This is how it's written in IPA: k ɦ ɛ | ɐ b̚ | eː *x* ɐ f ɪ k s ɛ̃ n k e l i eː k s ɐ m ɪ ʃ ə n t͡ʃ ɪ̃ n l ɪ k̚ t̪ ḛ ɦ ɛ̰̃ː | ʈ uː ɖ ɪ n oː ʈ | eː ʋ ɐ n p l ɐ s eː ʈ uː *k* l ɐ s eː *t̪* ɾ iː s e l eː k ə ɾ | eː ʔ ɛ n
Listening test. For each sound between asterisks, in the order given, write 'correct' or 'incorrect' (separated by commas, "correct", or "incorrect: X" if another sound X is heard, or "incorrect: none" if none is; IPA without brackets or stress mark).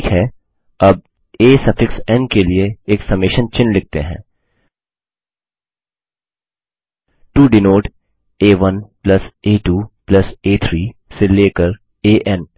incorrect: s, incorrect: p, incorrect: t̪ʰ